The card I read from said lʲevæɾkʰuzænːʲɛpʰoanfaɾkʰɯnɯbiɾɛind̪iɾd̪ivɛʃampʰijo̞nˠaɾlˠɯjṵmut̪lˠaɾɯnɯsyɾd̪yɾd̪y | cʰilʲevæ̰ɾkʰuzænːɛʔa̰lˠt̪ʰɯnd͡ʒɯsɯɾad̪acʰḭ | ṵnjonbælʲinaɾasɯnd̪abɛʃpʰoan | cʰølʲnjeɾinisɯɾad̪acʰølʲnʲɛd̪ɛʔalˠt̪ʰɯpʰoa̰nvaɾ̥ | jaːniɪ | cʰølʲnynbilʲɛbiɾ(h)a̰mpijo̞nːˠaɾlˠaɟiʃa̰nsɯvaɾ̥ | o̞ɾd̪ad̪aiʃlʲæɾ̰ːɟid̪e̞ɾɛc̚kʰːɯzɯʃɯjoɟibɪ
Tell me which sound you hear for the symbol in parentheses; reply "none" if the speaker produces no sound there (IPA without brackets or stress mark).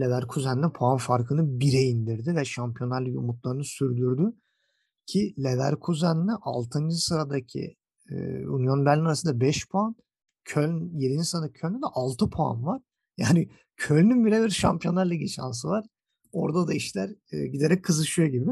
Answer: ʃ